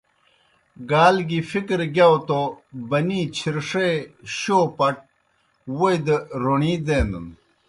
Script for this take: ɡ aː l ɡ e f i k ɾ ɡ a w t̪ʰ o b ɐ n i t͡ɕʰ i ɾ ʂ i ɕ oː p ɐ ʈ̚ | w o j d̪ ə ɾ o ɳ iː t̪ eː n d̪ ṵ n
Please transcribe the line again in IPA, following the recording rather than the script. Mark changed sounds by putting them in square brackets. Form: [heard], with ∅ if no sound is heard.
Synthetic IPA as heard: ɡ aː l ɡ [i] f i k ɾ ɡ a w [t̪] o b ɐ n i t͡ɕʰ i ɾ ʂ [e] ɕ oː p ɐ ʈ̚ | w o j d̪ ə ɾ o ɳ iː [d̪] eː n d̪ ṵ n